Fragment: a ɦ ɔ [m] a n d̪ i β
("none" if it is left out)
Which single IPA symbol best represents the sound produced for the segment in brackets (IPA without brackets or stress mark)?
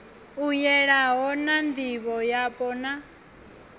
n